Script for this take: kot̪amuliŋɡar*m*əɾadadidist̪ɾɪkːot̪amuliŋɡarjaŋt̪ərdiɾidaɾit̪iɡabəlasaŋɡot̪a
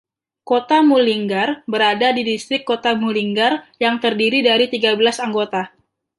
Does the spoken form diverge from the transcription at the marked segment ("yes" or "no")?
yes